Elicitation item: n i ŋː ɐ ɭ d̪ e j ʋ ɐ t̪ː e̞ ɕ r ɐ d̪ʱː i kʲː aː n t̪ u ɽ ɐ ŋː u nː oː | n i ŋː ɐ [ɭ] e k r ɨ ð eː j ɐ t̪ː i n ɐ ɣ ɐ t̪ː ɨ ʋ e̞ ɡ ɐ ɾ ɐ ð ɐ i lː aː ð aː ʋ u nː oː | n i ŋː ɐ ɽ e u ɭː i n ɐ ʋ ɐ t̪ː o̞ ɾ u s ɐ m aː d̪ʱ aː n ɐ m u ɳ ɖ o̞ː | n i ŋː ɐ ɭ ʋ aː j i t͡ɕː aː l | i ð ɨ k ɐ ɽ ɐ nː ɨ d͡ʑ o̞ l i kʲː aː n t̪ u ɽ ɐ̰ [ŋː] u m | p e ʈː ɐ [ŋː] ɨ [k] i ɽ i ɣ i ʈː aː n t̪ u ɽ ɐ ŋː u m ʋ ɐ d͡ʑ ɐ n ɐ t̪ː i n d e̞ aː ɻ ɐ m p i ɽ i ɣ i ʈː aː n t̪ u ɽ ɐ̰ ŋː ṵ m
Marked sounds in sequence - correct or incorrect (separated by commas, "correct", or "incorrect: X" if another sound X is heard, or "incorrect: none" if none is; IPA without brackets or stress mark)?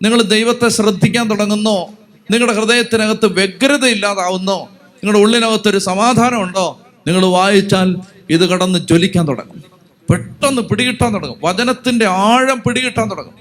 incorrect: ɽ, correct, incorrect: nː, incorrect: p